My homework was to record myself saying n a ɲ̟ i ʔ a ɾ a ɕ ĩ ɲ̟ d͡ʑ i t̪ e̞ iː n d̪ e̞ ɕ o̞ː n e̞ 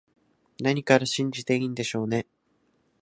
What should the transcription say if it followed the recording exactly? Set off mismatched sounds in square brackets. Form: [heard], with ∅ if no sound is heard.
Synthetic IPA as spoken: n a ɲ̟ i [k] a ɾ a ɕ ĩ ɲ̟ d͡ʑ i t̪ e̞ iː n d̪ e̞ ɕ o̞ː n e̞